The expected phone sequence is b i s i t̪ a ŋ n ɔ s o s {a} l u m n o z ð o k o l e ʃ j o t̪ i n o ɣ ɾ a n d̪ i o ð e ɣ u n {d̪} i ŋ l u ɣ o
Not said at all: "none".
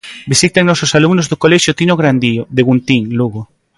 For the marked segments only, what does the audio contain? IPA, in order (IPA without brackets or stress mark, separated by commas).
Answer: a, t̪